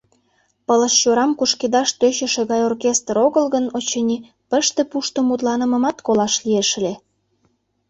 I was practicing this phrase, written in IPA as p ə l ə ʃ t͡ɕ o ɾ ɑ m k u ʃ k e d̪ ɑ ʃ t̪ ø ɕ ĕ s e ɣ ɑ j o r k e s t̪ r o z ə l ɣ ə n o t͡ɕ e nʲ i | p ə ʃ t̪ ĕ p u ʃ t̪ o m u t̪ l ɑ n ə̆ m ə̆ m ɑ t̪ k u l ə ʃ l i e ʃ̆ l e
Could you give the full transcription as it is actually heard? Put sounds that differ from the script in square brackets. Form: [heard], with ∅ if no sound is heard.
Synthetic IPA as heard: p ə l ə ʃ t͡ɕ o ɾ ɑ m k u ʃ k e d̪ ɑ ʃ t̪ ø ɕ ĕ [ʃ] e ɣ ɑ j o r k e s t̪ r o [ɣ] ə l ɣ ə n o t͡ɕ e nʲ i | p ə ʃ t̪ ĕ p u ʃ t̪ o m u t̪ l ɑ n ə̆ m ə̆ m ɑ t̪ k [o] l [ɑ] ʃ l i e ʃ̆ l e